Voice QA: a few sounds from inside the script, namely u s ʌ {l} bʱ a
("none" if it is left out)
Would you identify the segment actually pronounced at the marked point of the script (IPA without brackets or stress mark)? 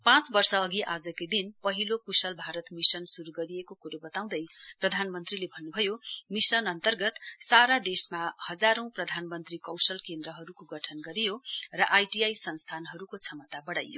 l